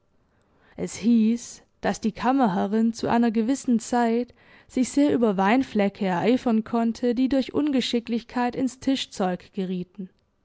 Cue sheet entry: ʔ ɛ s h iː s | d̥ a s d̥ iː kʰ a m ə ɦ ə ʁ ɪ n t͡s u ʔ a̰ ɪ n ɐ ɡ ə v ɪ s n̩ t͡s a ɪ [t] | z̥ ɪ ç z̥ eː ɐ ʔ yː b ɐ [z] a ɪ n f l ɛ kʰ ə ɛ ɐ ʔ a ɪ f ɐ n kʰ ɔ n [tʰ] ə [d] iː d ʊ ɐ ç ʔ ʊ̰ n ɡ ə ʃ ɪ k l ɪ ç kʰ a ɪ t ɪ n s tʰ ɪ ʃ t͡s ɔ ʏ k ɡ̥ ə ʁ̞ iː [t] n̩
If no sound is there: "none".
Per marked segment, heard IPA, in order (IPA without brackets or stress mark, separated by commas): t, v, tʰ, d, t